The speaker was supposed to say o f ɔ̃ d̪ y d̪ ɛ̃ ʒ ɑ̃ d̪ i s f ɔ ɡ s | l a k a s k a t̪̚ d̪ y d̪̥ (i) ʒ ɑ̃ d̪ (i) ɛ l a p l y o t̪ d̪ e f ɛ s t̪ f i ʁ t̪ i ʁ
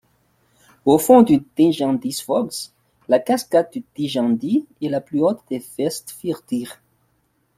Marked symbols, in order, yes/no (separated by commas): yes, yes